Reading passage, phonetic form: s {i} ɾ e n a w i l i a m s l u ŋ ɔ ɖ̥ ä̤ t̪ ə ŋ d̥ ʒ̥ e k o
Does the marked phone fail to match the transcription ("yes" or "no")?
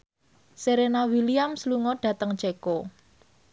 yes